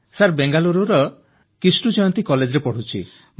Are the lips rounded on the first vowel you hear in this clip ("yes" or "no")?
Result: no